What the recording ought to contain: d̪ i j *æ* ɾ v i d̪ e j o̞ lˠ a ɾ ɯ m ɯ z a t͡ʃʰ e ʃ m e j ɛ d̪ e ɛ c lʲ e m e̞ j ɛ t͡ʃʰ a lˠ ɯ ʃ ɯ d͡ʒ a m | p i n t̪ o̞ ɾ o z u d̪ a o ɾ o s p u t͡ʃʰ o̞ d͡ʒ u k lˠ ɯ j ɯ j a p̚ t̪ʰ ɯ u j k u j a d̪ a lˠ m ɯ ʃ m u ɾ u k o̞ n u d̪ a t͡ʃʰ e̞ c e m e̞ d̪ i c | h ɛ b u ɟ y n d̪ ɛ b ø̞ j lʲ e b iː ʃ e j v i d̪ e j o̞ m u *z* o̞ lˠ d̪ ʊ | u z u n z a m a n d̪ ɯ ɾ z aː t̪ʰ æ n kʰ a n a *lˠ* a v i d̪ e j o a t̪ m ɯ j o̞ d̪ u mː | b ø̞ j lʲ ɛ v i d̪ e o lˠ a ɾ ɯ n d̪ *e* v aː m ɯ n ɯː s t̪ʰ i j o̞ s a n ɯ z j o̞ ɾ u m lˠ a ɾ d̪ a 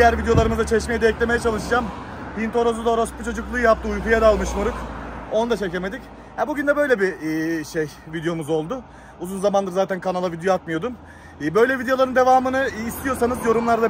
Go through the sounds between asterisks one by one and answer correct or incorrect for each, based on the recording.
correct, correct, correct, correct

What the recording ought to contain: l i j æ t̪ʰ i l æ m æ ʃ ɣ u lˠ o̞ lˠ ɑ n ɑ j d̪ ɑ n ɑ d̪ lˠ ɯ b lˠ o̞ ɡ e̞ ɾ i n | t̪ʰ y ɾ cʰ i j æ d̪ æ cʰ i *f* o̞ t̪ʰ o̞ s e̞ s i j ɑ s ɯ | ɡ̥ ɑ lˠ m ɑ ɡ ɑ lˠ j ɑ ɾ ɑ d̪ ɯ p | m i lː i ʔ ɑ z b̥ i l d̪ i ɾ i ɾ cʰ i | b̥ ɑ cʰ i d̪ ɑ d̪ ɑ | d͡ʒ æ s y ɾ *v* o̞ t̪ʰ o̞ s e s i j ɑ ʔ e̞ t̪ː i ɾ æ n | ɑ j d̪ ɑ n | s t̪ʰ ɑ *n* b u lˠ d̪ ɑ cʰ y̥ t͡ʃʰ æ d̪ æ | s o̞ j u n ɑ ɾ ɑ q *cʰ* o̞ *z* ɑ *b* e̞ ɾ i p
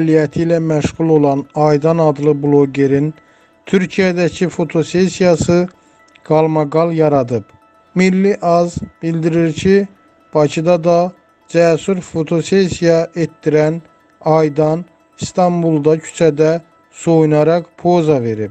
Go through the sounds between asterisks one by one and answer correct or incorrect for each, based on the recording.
correct, incorrect, incorrect, incorrect, correct, incorrect

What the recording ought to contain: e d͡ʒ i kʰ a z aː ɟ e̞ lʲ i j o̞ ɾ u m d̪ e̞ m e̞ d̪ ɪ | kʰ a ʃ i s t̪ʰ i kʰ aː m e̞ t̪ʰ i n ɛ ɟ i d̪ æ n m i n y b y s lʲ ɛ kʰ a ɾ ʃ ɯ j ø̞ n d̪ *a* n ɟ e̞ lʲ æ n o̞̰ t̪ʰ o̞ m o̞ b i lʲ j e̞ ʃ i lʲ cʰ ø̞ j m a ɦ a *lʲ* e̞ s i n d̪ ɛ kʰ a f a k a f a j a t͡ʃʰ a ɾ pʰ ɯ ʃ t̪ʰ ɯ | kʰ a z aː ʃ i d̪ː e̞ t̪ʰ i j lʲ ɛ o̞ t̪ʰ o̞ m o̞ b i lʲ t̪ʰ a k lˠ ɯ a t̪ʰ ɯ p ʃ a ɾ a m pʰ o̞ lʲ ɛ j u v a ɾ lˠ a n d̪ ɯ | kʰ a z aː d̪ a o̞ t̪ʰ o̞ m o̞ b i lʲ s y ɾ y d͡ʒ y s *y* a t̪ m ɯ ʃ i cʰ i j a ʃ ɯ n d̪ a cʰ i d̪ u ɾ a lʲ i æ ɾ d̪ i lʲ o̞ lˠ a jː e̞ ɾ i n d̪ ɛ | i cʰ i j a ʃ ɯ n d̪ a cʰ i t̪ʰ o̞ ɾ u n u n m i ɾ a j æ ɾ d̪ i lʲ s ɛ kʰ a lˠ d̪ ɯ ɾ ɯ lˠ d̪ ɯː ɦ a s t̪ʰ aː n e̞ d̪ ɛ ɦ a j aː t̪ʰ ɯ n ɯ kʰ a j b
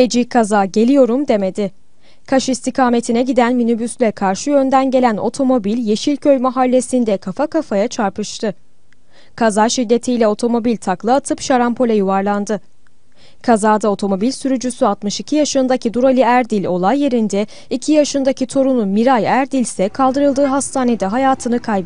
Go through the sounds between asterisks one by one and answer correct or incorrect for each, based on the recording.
incorrect, incorrect, correct

